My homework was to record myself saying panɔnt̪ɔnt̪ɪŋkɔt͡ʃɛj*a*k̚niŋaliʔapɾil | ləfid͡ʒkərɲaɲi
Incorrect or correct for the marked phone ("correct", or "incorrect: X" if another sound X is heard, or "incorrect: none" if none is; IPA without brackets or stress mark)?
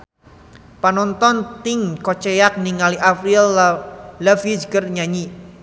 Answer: correct